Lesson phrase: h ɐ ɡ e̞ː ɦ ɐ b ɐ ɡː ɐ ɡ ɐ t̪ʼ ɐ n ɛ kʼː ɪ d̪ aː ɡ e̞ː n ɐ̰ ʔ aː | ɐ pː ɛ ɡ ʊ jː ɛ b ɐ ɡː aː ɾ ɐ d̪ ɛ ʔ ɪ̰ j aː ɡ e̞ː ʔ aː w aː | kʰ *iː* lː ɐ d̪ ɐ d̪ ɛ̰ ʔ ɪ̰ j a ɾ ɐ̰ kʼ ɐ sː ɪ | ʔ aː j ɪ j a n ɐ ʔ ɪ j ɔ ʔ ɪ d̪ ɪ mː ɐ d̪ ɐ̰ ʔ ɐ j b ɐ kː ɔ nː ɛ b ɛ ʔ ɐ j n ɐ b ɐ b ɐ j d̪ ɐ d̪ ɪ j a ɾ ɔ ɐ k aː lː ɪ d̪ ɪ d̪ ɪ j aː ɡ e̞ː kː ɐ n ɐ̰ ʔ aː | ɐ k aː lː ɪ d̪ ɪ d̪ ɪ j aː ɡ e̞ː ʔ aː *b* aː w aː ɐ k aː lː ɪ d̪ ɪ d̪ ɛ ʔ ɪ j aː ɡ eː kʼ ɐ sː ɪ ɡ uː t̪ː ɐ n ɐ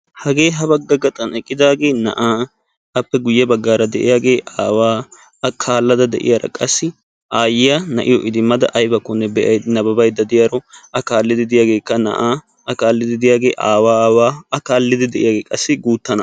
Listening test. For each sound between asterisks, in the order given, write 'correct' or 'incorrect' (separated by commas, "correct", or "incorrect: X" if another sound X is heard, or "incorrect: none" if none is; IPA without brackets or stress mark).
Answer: incorrect: aː, incorrect: w